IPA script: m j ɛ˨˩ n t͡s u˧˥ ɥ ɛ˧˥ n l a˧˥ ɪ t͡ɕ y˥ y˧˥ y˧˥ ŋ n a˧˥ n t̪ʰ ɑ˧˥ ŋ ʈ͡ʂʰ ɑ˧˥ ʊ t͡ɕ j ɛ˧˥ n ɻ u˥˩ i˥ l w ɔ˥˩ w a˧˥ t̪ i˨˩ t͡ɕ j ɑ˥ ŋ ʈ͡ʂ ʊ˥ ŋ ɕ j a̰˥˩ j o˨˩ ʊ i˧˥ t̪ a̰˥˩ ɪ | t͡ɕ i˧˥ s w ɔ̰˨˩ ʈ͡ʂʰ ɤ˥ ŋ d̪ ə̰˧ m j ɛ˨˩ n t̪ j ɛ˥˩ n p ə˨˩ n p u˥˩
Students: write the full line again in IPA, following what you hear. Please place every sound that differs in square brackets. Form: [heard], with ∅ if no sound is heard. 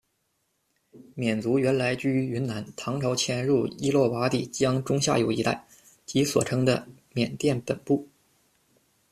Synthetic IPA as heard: m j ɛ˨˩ n t͡s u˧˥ ɥ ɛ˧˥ n l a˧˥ ɪ t͡ɕ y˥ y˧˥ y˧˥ [n] n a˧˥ n t̪ʰ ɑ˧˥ ŋ ʈ͡ʂʰ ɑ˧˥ ʊ [t͡ɕʰ] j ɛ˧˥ n ɻ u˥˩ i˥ l w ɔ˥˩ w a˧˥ t̪ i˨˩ t͡ɕ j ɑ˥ ŋ ʈ͡ʂ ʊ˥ ŋ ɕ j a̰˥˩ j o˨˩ ʊ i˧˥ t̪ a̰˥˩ ɪ | t͡ɕ i˧˥ s w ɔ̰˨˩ ʈ͡ʂʰ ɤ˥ ŋ d̪ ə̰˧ m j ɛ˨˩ n t̪ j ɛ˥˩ n p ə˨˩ n p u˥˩

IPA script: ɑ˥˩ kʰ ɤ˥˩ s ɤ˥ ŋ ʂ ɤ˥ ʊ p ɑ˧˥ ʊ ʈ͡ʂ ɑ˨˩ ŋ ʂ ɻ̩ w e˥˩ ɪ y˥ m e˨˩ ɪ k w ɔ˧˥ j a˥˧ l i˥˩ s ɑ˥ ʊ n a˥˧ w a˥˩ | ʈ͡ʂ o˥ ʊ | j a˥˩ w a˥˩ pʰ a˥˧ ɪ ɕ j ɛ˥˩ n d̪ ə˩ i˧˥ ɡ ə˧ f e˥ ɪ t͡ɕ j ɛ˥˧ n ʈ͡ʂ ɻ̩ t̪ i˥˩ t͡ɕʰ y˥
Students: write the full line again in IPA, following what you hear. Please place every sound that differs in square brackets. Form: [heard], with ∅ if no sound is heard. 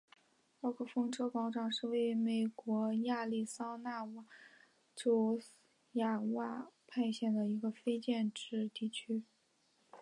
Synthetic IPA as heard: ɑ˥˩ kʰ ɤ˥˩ [f] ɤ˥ ŋ [ʈ͡ʂ] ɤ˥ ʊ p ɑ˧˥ ʊ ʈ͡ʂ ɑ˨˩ ŋ ʂ ɻ̩ w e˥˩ ɪ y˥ m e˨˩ ɪ k w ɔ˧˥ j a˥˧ l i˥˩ s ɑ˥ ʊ n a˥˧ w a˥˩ | ʈ͡ʂ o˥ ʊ | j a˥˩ w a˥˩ pʰ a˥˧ ɪ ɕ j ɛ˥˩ n d̪ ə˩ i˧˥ ɡ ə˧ f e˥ ɪ t͡ɕ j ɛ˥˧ n ʈ͡ʂ ɻ̩ t̪ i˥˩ t͡ɕʰ y˥

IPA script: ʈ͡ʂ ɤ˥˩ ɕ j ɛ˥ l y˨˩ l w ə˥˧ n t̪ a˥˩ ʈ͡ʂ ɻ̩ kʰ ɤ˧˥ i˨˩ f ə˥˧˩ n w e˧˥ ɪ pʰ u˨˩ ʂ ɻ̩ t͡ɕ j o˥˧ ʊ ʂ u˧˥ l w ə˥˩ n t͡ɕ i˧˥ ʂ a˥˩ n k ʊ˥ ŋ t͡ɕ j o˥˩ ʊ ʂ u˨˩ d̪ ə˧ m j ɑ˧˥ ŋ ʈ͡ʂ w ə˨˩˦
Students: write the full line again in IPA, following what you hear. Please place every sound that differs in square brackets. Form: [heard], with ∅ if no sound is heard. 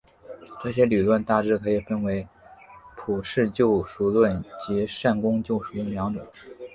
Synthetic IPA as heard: ʈ͡ʂ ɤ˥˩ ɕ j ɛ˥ l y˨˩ l w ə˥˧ n t̪ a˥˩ ʈ͡ʂ ɻ̩ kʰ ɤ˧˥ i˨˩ f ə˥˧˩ n w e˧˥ ɪ pʰ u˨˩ ʂ ɻ̩ t͡ɕ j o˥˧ ʊ ʂ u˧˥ l w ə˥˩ n t͡ɕ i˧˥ ʂ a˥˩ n k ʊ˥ ŋ t͡ɕ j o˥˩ ʊ ʂ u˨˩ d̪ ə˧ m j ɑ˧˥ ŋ ʈ͡ʂ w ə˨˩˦

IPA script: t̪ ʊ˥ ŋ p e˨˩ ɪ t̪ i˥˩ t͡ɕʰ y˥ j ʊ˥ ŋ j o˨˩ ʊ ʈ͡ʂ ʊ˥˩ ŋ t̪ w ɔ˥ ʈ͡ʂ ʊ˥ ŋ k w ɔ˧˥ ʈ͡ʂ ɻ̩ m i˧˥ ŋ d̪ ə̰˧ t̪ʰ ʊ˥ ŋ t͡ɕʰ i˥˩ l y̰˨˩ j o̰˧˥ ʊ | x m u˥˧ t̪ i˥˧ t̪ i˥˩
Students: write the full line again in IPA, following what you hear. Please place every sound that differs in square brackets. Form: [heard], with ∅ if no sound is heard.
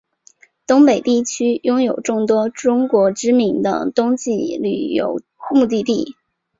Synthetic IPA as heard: t̪ ʊ˥ ŋ p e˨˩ ɪ t̪ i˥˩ t͡ɕʰ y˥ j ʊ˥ ŋ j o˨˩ ʊ ʈ͡ʂ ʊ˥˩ ŋ t̪ w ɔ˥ ʈ͡ʂ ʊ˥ ŋ k w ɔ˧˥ ʈ͡ʂ ɻ̩ m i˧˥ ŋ d̪ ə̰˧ [t̪] ʊ˥ ŋ [t͡ɕ] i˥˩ l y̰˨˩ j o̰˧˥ ʊ | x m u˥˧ t̪ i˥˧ t̪ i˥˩

